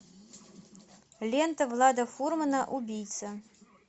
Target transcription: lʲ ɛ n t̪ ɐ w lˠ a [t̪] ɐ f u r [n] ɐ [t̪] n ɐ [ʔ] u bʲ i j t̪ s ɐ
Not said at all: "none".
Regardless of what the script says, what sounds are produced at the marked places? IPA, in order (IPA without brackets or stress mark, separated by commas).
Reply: d̪, m, none, ʔ